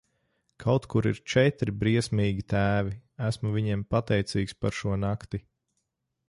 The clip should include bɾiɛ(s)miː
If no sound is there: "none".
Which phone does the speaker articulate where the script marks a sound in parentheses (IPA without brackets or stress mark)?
s